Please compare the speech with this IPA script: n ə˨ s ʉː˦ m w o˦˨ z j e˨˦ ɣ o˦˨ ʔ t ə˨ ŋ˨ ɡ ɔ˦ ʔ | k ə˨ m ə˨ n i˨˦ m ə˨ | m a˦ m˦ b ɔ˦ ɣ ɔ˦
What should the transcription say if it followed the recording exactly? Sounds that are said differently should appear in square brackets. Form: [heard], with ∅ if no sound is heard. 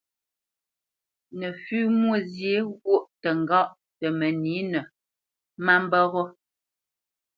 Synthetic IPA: n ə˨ [f] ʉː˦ m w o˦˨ z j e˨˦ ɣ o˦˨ ʔ t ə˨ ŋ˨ ɡ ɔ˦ ʔ | [t] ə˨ m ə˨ n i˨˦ [n] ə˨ | m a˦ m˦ b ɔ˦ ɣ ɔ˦